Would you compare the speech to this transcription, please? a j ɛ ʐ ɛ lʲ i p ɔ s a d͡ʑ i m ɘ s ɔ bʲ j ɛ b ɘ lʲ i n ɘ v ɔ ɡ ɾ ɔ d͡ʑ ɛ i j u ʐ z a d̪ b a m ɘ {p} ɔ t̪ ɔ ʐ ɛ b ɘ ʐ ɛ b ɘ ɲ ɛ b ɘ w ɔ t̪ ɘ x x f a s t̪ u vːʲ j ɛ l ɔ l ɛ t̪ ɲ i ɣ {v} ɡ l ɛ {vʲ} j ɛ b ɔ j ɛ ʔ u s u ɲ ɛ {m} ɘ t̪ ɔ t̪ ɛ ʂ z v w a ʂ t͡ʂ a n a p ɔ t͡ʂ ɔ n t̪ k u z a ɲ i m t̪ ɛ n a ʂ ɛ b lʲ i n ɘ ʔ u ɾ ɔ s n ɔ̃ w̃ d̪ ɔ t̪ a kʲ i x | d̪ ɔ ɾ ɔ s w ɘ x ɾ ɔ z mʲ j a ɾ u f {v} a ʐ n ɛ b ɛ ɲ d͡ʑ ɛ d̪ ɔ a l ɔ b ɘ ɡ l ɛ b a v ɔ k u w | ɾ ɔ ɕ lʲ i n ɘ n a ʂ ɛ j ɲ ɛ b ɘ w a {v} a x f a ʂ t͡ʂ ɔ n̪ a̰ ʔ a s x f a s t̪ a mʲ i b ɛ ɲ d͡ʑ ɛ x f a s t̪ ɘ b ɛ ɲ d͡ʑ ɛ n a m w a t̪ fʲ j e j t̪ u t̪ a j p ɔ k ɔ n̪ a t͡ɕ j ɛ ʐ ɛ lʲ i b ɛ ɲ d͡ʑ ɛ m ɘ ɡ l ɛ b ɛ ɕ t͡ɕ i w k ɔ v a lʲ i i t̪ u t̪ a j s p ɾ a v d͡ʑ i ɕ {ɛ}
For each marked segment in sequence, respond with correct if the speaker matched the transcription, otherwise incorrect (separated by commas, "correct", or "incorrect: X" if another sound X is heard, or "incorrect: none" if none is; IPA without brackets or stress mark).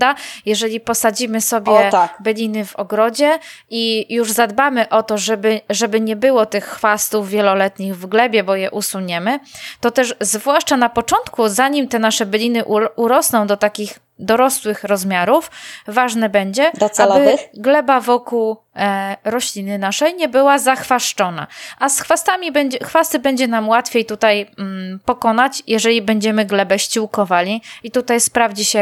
incorrect: ʔ, correct, incorrect: bʲ, correct, correct, incorrect: z, correct